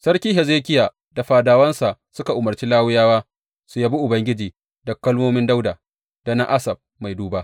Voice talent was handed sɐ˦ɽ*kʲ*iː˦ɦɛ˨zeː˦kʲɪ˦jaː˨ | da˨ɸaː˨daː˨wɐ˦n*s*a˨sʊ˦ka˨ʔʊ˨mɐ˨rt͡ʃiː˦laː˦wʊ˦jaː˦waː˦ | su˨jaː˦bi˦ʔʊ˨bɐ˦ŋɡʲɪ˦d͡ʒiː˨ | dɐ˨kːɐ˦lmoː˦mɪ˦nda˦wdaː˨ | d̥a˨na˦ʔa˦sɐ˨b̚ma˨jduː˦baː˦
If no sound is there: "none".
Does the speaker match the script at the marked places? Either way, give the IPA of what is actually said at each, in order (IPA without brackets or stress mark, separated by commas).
kʲ, s